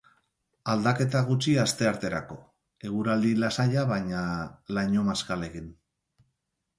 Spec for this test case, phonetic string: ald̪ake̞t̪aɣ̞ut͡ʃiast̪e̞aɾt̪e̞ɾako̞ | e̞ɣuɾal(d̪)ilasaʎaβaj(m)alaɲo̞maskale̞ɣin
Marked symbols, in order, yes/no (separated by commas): yes, no